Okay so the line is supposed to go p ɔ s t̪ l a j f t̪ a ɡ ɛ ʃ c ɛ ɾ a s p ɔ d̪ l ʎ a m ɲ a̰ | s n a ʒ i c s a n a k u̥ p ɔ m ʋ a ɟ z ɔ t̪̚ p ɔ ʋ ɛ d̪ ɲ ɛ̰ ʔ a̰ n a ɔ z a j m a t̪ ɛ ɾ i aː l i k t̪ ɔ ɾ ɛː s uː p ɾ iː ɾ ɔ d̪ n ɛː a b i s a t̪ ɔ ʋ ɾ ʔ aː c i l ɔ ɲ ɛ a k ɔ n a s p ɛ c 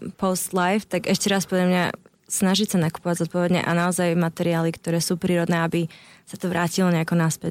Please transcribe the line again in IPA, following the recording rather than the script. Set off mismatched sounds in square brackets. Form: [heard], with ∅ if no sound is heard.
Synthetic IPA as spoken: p ɔ s t̪ l a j f t̪ a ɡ ɛ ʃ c ɛ ɾ a s p ɔ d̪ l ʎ a m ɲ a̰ | s n a ʒ i c s a n a k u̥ p ɔ [∅] ʋ a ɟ z ɔ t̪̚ p ɔ ʋ ɛ d̪ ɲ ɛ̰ ʔ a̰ n a ɔ z a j m a t̪ ɛ ɾ i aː l i k t̪ ɔ ɾ ɛː s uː p ɾ iː ɾ ɔ d̪ n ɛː a b i s a t̪ ɔ ʋ ɾ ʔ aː c i l ɔ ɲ ɛ a k ɔ n a s p ɛ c